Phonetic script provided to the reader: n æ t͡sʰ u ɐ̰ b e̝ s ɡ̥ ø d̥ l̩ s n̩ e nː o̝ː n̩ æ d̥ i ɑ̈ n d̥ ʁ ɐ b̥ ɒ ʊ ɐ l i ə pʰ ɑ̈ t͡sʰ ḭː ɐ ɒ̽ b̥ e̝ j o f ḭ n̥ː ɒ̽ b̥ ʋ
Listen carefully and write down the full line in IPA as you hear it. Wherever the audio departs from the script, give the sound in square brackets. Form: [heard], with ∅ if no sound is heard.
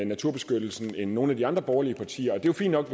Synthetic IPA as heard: n æ t͡sʰ u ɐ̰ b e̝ s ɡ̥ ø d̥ l̩ s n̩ e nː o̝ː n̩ æ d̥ i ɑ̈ n d̥ ʁ ɐ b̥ ɒ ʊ ɐ l i ə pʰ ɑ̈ t͡sʰ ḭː ɐ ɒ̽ [d̥] e̝ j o f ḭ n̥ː ɒ̽ [ɡ̥] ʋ

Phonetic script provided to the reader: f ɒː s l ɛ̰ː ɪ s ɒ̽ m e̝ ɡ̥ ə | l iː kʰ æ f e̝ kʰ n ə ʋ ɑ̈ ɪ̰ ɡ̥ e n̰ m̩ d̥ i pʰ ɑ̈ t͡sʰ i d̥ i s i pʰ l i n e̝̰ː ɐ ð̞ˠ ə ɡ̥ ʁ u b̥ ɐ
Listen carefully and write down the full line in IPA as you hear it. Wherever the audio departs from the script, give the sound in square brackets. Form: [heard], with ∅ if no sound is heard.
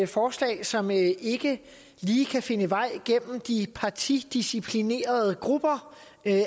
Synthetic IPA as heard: f ɒː s l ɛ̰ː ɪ s ɒ̽ m e̝ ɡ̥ ə | l iː kʰ æ f e̝ [∅] n ə ʋ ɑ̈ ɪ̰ ɡ̥ e n̰ m̩ d̥ i pʰ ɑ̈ t͡sʰ i d̥ i s i pʰ l i n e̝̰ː ɐ ð̞ˠ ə ɡ̥ ʁ u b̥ ɐ

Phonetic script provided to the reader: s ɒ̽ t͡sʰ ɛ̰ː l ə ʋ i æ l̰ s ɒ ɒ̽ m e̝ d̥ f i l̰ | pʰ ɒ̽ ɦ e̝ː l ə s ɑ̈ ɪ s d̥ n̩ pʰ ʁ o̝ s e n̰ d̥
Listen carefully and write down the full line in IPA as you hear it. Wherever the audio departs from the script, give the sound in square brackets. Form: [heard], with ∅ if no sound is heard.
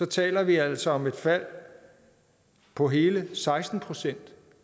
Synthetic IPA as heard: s ɒ̽ t͡sʰ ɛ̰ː l [ɐ] ʋ i æ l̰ s ɒ ɒ̽ m e̝ d̥ f [æ] l̰ | pʰ ɒ̽ ɦ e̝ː l ə s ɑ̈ ɪ s d̥ n̩ pʰ ʁ o̝ s e n̰ d̥

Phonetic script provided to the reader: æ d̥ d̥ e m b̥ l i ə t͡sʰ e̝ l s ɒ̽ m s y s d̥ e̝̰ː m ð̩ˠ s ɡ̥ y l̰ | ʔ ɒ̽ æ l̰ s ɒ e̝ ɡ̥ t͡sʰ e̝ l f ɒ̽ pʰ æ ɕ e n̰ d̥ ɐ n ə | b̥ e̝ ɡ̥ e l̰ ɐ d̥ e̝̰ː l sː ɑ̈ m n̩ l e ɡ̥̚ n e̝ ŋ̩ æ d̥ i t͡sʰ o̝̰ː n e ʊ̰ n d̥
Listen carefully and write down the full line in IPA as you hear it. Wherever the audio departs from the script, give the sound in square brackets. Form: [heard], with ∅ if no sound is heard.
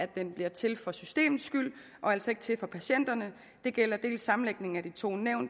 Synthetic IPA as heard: æ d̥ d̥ e [n] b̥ l i [ɐ] t͡sʰ e̝ l [f] ɒ̽ [∅] s y s d̥ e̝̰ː m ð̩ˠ s ɡ̥ y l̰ | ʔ ɒ̽ æ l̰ s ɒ e̝ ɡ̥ t͡sʰ e̝ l f ɒ̽ pʰ æ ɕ e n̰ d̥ ɐ n ə | [d̥] e̝ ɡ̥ e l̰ ɐ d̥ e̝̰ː l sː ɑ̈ m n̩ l e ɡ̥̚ n e̝ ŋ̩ æ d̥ i t͡sʰ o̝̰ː n e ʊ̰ n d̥

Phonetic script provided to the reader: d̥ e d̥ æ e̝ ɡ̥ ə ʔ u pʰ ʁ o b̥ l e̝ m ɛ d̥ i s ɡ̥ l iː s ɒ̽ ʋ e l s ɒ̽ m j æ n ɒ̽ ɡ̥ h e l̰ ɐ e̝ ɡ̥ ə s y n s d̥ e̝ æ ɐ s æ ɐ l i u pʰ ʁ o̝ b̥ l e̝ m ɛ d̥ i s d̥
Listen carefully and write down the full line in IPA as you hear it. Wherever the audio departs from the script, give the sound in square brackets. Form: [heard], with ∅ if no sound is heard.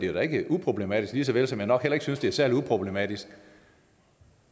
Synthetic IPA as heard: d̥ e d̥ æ e̝ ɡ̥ ə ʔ u pʰ ʁ o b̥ l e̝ m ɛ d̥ i s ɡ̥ l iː s ɒ̽ ʋ e l s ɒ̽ m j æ n ɒ̽ ɡ̥ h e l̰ ɐ e̝ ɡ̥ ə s y n s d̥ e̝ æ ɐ s æ ɐ l i u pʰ ʁ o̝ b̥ l e̝ m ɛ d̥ i s [ɡ̥]

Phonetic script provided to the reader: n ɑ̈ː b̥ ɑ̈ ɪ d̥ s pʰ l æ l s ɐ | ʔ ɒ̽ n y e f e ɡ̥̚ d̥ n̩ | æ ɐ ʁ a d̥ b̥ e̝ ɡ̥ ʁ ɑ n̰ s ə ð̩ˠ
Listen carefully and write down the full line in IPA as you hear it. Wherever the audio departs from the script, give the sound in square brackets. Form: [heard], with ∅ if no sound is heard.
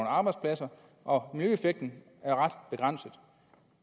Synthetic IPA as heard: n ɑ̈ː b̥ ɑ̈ ɪ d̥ s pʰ l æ [∅] s ɐ | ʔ ɒ̽ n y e f e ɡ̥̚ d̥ n̩ | æ ɐ ʁ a d̥ b̥ e̝ ɡ̥ ʁ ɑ n̰ s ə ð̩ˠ

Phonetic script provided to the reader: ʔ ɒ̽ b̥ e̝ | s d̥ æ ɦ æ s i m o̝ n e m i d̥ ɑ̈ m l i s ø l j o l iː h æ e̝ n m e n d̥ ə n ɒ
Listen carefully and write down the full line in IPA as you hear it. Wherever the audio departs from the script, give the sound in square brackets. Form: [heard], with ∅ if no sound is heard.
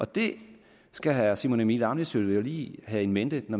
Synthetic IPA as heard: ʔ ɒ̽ [d̥] e̝ | s [ɡ̥] æ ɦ æ s i m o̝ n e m i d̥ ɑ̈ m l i s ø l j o l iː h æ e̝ n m e n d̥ ə n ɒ

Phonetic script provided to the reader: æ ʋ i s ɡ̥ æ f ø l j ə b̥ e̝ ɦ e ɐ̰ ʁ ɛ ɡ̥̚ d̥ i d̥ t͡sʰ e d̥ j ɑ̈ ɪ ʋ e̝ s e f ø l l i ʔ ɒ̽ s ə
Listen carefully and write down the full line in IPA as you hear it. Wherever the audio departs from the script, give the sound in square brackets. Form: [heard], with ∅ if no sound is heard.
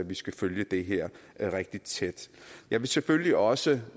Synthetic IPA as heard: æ ʋ i s ɡ̥ æ f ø l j ə [d̥] e̝ ɦ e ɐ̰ ʁ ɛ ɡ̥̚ d̥ i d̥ t͡sʰ e d̥ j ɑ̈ ɪ ʋ e̝ s e f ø l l i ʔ ɒ̽ s ə

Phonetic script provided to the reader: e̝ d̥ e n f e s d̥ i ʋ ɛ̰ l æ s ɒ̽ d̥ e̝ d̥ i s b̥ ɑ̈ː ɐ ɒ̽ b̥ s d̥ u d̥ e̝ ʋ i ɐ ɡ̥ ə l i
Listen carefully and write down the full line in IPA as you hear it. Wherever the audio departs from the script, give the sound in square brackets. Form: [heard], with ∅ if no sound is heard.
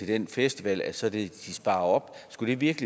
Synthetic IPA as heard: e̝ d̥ e n f e s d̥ i ʋ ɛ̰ l æ s ɒ̽ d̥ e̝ d̥ i s b̥ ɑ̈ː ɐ ɒ̽ b̥ s [ɡ̥] u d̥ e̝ ʋ i ɐ ɡ̥ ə l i

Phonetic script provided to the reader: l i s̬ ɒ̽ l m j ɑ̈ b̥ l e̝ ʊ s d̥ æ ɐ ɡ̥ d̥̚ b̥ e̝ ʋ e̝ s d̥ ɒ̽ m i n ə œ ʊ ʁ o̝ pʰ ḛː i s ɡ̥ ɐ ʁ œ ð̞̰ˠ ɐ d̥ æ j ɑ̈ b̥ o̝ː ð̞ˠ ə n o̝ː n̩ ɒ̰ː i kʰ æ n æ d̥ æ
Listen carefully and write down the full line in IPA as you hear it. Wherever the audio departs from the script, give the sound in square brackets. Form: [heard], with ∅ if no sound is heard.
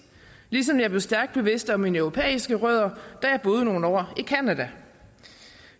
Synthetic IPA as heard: l i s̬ ɒ̽ [∅] m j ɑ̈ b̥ l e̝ ʊ s d̥ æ ɐ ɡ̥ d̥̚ b̥ e̝ ʋ e̝ s d̥ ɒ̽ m i n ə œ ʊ ʁ o̝ pʰ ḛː i s ɡ̥ [ə] ʁ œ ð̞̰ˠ ɐ d̥ æ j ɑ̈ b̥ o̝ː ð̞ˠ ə n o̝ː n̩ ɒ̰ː i kʰ æ n æ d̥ æ

